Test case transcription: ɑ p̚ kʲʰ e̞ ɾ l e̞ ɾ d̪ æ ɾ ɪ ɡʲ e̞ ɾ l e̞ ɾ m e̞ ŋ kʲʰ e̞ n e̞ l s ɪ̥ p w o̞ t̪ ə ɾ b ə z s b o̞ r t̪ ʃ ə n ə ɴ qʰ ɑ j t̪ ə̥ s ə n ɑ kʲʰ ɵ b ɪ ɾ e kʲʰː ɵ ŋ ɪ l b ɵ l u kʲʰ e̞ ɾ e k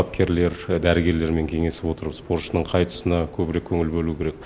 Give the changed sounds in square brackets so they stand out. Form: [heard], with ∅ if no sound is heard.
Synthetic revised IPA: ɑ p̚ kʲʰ e̞ ɾ l e̞ ɾ d̪ æ ɾ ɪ ɡʲ e̞ ɾ l e̞ ɾ m e̞ ŋ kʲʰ e̞ [ŋ] e̞ [∅] s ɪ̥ p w o̞ t̪ ə ɾ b ə z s [p] o̞ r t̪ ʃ ə n ə ɴ qʰ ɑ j t̪ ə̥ s ə n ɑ kʲʰ ɵ b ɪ ɾ e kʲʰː ɵ ŋ ɪ l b ɵ l u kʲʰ e̞ ɾ e k